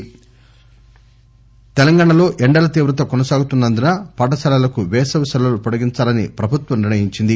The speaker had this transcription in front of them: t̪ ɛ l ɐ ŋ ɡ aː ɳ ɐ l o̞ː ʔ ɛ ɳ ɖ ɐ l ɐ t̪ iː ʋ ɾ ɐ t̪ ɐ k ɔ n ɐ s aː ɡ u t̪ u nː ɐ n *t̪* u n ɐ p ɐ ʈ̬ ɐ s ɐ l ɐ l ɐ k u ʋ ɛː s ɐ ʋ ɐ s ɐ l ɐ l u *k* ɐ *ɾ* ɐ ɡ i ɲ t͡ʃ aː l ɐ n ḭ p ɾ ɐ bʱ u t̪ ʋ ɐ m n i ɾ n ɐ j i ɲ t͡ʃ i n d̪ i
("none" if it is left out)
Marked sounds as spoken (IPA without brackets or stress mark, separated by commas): d̪, p, ɽ